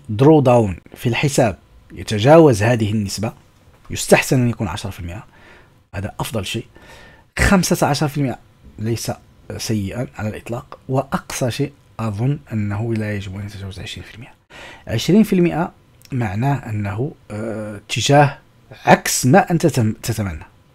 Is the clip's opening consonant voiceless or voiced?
voiced